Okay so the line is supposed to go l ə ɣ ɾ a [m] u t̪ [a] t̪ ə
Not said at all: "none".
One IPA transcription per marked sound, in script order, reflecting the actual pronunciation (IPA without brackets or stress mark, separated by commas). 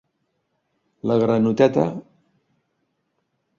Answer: n, ɛ